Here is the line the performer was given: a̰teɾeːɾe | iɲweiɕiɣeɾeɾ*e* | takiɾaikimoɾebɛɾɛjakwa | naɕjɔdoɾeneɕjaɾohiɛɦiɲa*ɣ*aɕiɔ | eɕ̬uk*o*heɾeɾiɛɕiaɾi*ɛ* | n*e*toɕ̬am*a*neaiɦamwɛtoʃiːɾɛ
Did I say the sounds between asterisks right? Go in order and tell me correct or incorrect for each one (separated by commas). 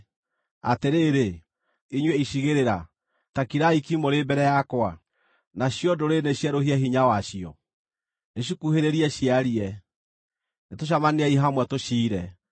incorrect, incorrect, incorrect, correct, correct, correct